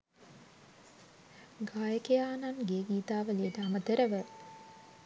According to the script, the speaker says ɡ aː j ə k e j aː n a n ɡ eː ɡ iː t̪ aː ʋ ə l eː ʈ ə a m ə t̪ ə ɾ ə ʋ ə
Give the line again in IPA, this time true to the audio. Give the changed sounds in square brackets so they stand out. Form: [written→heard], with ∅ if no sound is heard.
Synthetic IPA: ɡ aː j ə k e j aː n a n ɡ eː ɡ iː t̪ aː ʋ ə l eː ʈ ə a m ə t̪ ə ɾ ə ʋ ə